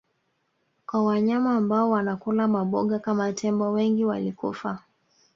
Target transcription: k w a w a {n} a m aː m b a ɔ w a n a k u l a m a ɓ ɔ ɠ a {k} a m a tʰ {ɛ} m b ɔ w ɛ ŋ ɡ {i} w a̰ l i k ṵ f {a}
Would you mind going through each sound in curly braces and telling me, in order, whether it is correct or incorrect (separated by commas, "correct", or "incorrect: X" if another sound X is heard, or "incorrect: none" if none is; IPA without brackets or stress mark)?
incorrect: ɲ, correct, correct, correct, correct